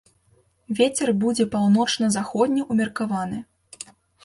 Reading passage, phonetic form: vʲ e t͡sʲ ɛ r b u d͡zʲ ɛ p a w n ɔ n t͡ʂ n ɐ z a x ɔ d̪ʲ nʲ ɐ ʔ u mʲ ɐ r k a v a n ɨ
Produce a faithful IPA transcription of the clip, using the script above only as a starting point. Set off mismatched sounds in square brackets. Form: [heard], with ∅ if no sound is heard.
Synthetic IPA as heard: vʲ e t͡sʲ ɛ r b u d͡zʲ ɛ p a w n ɔ [∅] t͡ʂ n ɐ z a x ɔ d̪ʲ nʲ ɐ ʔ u mʲ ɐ r k a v a n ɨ